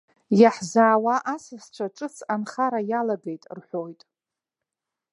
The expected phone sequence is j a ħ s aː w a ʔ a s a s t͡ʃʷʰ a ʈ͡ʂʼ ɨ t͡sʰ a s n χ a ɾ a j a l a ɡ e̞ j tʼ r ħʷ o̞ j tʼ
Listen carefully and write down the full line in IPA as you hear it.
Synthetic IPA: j a ħ z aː w a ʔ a s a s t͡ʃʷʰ a ʈ͡ʂʼ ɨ t͡sʰ a n χ a ɾ a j a l a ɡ e̞ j tʼ r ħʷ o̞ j tʼ